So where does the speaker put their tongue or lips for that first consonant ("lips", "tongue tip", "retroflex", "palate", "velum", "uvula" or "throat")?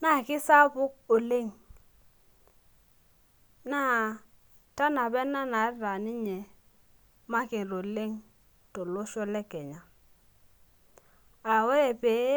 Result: tongue tip